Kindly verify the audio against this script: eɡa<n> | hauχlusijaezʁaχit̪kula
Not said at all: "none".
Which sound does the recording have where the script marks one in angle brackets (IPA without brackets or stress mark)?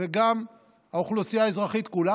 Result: m